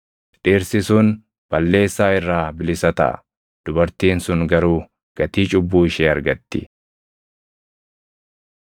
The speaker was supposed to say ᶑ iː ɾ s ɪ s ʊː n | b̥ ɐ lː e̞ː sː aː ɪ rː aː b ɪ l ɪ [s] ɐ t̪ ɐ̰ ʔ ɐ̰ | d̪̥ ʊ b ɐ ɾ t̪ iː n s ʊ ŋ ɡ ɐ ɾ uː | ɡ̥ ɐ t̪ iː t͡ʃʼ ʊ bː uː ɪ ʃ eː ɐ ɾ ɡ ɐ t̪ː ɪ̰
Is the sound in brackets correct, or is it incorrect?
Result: correct